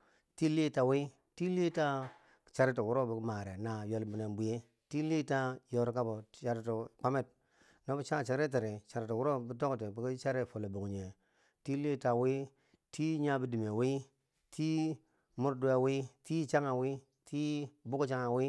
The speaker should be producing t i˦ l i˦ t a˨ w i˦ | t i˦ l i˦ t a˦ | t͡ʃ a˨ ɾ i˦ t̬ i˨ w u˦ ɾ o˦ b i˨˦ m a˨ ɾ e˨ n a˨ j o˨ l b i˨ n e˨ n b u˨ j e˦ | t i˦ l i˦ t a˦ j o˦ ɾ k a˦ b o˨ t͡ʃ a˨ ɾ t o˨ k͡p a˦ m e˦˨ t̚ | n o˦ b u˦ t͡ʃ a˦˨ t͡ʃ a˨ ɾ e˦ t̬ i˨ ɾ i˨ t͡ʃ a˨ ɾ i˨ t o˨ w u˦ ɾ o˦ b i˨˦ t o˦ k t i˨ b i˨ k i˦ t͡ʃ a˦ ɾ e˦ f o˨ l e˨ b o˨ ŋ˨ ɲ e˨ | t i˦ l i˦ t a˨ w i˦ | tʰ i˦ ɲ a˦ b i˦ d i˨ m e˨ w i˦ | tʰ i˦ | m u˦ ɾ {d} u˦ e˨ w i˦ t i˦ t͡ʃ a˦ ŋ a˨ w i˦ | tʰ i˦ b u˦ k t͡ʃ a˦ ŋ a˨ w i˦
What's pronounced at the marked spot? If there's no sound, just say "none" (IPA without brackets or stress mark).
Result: d